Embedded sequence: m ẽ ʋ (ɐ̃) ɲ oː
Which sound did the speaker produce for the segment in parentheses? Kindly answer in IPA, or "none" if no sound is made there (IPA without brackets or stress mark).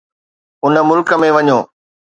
ɐ